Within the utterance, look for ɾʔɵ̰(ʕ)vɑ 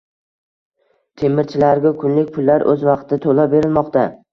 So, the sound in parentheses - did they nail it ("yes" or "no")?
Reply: no